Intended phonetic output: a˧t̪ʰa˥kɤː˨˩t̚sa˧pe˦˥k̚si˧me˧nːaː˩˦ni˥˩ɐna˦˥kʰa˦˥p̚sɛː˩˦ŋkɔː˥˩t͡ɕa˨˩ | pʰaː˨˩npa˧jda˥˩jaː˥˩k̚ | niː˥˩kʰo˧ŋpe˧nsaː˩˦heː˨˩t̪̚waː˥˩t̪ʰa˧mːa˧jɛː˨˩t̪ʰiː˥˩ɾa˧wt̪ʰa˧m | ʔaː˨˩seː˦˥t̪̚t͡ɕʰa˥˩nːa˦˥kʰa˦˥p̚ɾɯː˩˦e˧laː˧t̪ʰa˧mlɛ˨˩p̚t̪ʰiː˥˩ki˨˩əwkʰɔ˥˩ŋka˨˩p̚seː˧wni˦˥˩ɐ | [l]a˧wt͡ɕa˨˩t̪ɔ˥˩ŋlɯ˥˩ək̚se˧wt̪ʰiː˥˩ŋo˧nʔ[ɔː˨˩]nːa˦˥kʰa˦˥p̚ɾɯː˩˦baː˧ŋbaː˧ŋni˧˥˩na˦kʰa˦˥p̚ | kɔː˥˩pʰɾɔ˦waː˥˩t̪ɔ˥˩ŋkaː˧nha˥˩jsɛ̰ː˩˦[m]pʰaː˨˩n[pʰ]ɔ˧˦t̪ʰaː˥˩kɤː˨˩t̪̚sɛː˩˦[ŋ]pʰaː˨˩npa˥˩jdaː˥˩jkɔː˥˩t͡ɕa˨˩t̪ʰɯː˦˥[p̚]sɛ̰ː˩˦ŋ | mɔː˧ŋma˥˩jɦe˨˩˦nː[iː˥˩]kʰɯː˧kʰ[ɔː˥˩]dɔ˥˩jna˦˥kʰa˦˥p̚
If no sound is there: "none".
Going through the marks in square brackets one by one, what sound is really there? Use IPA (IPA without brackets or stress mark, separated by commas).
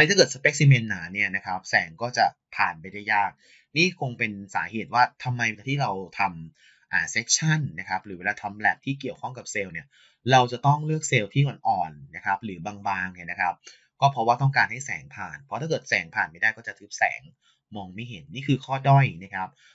ɾ, ɔː˨˩, ŋ, pʰ, ŋ, p̚, iː˥˩, ɔː˥˩